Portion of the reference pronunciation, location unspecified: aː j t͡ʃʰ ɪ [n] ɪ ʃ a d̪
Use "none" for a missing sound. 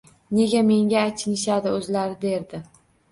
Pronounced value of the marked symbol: n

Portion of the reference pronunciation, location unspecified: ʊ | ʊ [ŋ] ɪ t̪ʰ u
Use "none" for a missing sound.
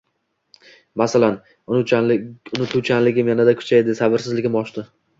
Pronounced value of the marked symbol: n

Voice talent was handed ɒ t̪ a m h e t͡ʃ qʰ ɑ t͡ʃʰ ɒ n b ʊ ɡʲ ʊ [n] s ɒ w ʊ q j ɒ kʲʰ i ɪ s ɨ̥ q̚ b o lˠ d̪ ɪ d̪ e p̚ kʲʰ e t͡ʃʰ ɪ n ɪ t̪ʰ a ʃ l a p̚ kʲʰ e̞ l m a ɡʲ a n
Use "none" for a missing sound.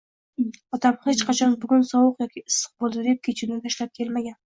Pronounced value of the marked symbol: n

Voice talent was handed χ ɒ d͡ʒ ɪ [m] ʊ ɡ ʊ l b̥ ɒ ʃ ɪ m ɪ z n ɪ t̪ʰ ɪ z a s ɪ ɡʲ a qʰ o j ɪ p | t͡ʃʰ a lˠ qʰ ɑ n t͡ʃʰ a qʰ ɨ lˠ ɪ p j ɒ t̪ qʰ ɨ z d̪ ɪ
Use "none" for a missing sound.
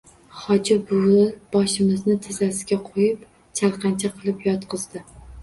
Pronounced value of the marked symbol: b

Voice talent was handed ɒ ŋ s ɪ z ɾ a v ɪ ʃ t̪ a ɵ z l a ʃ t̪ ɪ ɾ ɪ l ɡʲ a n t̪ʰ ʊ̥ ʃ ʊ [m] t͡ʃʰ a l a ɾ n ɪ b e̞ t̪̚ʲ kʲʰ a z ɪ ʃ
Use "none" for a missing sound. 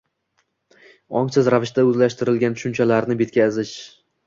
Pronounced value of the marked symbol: n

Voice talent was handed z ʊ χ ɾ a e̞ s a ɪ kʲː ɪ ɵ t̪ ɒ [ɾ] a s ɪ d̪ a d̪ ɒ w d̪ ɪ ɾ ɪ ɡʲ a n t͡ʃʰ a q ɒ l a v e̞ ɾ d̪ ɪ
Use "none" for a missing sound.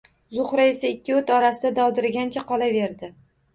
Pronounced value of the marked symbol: ɾ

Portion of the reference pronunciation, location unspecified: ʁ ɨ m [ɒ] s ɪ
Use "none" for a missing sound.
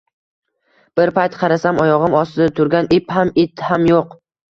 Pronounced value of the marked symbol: ɒ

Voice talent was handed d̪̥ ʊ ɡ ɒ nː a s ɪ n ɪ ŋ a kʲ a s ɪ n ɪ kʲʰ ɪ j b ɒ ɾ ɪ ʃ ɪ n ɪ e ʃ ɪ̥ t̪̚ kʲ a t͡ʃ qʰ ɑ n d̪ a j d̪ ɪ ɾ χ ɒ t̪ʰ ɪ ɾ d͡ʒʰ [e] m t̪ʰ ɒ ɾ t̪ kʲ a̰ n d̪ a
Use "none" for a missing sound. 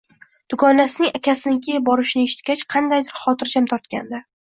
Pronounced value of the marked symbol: a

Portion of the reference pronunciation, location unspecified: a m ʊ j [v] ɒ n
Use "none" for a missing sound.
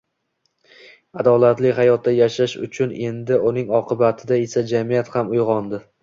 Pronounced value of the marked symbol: ʁ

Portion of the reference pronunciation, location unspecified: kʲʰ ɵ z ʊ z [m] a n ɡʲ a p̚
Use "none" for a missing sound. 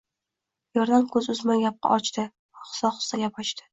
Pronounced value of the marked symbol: m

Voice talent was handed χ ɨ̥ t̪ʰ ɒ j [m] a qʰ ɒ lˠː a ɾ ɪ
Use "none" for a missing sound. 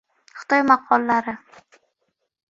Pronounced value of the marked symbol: m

